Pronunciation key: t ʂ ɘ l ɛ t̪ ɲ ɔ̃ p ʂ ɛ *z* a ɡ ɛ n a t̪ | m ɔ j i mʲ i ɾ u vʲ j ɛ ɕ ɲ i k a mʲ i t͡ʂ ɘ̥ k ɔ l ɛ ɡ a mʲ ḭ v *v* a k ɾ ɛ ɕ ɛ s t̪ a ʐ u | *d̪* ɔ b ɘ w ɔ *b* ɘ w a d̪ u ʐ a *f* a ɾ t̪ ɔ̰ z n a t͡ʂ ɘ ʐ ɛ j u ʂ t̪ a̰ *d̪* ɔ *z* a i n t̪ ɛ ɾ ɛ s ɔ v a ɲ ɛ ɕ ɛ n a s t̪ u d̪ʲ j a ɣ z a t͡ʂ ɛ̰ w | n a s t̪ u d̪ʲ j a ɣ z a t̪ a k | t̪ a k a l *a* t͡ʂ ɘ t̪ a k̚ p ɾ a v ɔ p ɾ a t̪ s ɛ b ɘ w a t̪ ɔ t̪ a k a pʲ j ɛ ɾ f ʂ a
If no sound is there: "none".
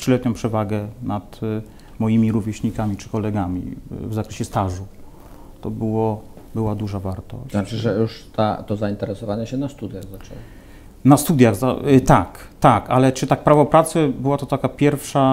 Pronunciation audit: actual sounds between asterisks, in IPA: v, z, t̪, b, v, t̪, z, ɛ

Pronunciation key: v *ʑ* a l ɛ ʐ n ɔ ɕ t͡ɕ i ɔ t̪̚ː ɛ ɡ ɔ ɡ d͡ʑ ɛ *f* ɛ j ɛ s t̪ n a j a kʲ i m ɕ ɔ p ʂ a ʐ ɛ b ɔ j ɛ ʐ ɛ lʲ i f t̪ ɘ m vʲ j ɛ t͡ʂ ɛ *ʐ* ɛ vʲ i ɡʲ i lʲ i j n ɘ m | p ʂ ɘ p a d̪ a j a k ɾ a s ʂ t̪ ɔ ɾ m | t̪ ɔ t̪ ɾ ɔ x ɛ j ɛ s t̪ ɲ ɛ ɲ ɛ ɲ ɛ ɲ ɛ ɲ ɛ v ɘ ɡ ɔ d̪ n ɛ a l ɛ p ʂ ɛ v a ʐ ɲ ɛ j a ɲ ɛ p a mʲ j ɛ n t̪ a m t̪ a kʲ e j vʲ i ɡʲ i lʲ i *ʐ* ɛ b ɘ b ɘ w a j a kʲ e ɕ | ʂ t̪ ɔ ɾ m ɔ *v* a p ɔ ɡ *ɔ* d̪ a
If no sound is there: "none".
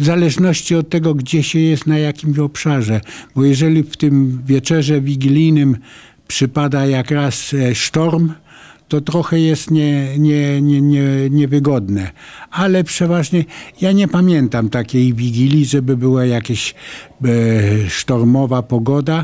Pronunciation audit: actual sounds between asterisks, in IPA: z, ɕ, ʐ, ʐ, v, ɔ

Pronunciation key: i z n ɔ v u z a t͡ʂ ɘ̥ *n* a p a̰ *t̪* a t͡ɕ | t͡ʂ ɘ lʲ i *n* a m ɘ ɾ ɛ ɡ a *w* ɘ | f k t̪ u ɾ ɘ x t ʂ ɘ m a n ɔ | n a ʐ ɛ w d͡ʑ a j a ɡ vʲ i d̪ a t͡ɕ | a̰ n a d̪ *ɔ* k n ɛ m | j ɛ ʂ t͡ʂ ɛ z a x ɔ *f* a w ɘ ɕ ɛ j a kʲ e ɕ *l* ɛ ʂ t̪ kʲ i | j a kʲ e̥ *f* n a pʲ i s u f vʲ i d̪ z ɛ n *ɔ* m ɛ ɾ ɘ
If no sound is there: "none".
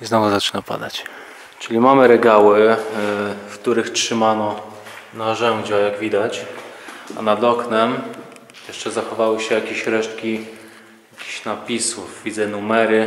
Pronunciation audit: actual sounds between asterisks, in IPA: n, d̪, m, w, ɔ, v, ɾ, ɕ, u

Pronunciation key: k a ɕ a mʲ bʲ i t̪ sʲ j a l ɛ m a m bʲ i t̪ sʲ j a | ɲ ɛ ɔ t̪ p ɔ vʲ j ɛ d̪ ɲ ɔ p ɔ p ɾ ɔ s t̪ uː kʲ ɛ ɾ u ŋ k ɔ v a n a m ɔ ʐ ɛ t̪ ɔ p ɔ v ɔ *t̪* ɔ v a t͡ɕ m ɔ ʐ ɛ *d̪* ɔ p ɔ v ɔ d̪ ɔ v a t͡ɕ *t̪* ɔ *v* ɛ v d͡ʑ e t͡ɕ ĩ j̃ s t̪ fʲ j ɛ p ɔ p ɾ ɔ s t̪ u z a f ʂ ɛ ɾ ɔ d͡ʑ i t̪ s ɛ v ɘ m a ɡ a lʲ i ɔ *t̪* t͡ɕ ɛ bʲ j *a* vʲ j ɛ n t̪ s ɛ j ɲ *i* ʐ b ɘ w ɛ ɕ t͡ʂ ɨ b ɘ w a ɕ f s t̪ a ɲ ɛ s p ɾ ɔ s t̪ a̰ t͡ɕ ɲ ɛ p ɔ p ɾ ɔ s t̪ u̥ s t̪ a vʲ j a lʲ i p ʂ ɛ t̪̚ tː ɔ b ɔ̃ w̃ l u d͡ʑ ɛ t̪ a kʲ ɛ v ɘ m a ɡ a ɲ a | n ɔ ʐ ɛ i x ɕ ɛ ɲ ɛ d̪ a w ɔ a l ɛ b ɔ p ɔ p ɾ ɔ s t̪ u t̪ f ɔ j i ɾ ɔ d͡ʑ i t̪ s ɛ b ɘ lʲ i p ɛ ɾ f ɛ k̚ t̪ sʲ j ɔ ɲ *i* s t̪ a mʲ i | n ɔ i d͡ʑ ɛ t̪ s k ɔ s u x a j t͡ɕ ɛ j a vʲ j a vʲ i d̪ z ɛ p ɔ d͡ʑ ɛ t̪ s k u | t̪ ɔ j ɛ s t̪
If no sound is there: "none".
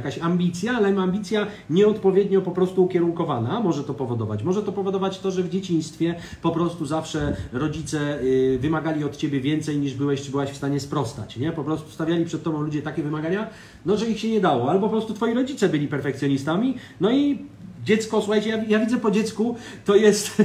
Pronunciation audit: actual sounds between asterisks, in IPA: d̪, t̪, t̪, ʐ, t̪, ɛ, i, i

